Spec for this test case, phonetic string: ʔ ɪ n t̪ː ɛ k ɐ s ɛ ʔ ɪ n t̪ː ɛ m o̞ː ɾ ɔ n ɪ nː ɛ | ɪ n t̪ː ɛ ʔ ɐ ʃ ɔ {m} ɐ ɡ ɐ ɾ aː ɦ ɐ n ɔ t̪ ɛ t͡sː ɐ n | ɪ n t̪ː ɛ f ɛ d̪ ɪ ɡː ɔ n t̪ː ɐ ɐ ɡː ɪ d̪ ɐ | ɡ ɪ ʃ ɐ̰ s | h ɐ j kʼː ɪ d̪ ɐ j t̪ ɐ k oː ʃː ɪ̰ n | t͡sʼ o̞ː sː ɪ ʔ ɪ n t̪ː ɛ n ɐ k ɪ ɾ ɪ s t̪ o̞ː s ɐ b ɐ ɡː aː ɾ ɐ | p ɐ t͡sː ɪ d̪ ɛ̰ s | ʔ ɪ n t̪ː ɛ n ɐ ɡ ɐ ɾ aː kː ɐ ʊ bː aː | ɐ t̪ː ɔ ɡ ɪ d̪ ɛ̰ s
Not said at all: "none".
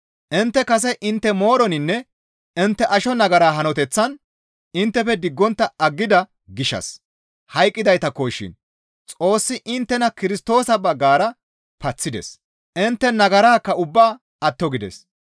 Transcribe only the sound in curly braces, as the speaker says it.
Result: n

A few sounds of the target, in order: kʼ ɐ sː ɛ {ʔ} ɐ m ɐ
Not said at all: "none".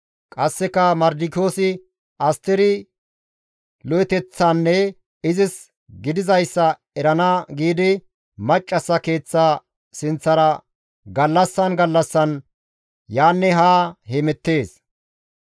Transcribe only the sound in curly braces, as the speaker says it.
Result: k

